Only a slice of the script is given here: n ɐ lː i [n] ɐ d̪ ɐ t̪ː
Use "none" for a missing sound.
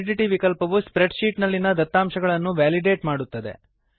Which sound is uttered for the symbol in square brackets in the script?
n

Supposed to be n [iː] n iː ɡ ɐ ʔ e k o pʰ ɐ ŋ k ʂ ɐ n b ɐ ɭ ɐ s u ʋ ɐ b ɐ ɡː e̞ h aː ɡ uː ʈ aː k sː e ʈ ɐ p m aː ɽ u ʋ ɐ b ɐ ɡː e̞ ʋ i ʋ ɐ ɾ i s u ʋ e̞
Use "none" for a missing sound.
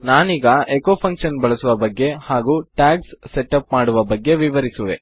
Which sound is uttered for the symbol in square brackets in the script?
aː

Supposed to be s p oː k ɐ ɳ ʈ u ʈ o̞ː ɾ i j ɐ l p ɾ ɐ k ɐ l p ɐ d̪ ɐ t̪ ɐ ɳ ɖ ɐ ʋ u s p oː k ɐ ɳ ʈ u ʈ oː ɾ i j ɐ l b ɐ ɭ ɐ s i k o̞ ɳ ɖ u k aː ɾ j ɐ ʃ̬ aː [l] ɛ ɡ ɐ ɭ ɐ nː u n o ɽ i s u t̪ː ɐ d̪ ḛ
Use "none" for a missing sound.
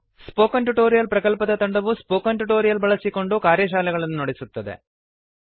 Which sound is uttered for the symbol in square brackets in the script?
l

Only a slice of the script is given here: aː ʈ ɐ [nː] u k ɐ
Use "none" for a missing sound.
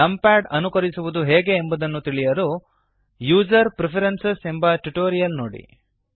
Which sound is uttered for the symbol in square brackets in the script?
n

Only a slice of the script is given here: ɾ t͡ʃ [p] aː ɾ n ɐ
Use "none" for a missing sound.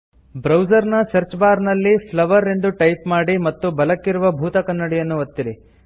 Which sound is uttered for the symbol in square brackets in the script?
b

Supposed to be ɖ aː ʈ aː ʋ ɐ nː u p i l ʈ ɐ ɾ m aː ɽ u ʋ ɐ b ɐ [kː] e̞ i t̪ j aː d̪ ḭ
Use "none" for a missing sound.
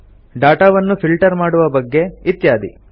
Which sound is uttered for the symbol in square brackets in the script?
ɡː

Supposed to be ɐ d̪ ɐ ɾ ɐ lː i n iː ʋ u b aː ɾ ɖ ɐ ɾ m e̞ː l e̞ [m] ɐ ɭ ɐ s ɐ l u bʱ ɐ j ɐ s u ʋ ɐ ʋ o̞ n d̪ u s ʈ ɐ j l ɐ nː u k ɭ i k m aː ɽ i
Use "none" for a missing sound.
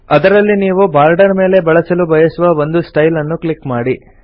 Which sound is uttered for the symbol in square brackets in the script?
b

